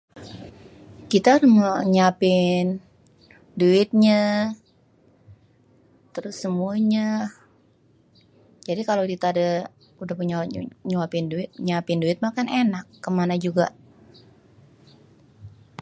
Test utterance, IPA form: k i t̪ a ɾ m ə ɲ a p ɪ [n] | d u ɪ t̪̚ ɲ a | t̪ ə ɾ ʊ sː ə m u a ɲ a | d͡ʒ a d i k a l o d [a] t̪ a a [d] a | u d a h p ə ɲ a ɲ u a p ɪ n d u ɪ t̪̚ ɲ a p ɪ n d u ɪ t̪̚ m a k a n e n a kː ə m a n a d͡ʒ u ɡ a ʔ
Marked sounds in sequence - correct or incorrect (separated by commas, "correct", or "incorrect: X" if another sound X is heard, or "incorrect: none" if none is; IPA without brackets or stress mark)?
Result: correct, incorrect: i, correct